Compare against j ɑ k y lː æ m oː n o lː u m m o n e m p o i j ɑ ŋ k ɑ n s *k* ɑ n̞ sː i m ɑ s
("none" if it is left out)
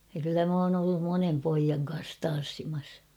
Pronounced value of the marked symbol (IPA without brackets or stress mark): t